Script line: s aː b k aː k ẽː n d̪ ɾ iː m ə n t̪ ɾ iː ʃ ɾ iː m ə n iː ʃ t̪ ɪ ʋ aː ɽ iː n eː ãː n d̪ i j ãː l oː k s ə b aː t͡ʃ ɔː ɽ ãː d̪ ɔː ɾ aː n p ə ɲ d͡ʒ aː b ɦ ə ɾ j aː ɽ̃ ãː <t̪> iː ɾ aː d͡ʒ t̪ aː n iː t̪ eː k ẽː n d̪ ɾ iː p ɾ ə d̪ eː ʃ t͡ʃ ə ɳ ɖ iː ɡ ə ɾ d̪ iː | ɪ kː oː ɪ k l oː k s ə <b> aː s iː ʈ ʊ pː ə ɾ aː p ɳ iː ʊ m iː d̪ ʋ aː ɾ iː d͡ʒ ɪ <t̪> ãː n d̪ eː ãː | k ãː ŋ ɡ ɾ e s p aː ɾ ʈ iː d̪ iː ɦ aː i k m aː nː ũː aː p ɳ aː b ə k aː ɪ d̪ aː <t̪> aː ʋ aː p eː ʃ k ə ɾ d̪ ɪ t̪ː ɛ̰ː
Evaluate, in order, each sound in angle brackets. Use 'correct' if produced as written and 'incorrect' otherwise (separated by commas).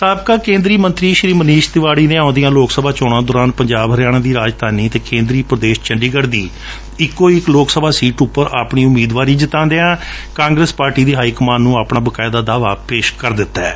incorrect, correct, correct, incorrect